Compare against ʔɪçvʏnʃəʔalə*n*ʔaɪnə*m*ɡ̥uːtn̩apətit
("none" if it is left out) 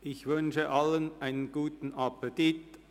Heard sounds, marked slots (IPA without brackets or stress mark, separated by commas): n, n